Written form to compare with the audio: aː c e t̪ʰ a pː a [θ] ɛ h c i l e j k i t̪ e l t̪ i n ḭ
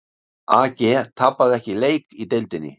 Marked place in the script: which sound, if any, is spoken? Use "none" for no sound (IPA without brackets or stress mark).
ð